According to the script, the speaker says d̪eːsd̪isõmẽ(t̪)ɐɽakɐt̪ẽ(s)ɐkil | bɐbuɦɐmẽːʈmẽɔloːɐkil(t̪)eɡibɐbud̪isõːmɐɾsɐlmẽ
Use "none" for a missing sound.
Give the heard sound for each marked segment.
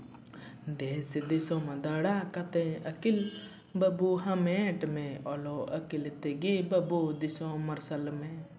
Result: d̪, none, t̪

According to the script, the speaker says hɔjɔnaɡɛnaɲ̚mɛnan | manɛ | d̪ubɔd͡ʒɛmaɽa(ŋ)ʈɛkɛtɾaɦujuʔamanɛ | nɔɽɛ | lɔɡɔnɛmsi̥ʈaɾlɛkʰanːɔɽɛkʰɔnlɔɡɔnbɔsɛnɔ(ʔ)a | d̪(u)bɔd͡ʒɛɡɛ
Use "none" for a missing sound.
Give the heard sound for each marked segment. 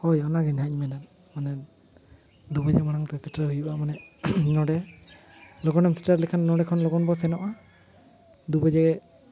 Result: ŋ, ʔ, u

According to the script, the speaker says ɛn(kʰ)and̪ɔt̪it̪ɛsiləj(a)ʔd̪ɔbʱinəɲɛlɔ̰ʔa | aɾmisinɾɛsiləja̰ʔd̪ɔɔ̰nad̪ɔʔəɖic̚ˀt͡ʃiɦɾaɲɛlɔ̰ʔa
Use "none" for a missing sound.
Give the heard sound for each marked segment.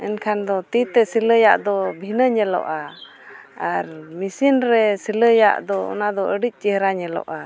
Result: kʰ, a

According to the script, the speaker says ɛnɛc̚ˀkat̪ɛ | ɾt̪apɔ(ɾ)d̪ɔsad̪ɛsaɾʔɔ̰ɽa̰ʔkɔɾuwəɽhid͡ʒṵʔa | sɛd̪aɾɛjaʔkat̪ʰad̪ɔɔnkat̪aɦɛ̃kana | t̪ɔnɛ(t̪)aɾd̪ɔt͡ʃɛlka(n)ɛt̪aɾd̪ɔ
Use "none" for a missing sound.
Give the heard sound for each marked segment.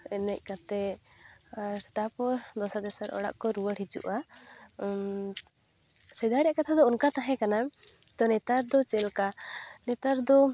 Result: ɾ, t̪, n

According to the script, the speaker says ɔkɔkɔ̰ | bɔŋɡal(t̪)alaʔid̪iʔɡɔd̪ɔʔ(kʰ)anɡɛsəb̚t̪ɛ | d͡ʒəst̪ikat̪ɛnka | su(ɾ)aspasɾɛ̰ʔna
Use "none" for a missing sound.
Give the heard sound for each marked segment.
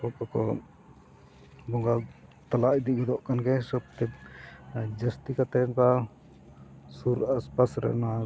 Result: t̪, k, ɾ

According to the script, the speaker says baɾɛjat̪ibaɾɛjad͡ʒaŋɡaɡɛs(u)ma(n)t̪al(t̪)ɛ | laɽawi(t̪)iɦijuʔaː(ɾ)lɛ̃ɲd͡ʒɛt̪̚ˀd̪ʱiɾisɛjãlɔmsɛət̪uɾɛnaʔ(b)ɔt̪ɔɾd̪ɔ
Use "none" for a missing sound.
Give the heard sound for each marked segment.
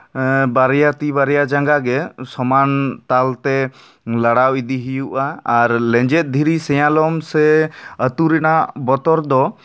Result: ɔ, n, t̪, d̪, ɾ, b

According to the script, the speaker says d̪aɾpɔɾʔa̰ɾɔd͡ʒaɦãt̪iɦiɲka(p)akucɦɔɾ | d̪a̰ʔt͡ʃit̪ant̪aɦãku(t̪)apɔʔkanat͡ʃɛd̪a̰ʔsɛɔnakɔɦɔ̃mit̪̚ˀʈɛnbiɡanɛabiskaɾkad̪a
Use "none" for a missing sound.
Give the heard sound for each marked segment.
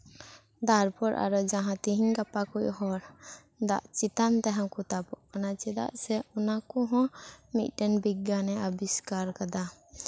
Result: p, t̪

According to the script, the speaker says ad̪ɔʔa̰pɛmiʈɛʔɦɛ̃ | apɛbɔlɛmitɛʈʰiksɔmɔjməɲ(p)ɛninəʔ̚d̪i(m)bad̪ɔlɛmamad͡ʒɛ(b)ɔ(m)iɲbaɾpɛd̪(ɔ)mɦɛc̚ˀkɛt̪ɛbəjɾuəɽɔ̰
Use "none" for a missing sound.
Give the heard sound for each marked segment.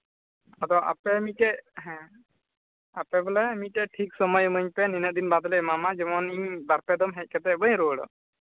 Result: p, n, m, n, ɔ

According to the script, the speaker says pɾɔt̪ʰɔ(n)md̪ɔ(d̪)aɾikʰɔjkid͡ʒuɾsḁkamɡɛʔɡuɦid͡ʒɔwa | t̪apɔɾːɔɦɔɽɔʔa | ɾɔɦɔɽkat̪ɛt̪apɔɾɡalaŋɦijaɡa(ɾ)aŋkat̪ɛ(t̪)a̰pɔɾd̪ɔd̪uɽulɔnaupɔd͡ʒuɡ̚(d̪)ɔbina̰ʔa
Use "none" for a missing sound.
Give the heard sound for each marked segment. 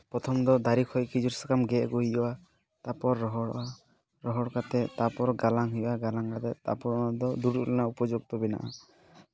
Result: none, d̪, l, t̪, t̪

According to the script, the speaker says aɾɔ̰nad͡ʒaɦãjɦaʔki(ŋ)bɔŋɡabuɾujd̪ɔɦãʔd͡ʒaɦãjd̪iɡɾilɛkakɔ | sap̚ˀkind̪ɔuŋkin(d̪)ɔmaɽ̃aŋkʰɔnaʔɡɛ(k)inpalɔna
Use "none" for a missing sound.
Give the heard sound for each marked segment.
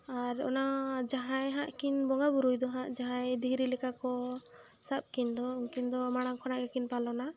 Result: n, d̪, k

